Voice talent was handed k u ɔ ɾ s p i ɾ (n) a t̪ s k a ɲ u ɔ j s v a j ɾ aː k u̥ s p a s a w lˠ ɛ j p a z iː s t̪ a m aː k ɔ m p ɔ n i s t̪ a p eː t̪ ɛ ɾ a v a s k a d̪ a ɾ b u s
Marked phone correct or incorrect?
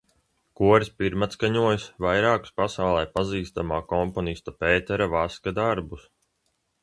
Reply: incorrect